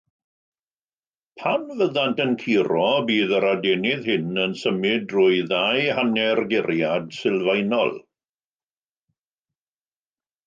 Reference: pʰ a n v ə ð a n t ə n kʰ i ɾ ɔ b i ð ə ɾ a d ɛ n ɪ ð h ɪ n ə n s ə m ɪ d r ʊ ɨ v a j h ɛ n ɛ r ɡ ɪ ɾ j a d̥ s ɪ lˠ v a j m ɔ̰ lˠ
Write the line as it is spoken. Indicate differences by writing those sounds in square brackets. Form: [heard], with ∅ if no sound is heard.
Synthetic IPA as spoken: pʰ a n v ə ð a n t ə n kʰ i ɾ ɔ b [iː] ð ə ɾ a d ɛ n ɪ ð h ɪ n ə n s ə m ɪ d r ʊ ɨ [ð] a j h [a] n ɛ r ɡ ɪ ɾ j a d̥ s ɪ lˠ v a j [n] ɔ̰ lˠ